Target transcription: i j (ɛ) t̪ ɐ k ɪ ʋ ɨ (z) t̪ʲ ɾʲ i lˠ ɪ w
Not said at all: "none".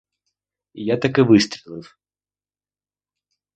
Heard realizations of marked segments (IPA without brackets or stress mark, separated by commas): a, s